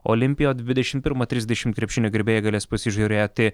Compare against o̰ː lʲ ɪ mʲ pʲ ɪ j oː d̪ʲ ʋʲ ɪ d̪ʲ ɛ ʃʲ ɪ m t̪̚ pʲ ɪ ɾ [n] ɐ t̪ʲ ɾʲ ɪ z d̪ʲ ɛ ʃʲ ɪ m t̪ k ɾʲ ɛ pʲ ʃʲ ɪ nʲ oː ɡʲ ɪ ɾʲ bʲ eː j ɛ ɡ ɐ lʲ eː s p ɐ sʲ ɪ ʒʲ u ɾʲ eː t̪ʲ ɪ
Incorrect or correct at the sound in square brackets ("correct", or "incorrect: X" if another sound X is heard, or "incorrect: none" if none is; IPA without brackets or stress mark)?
incorrect: m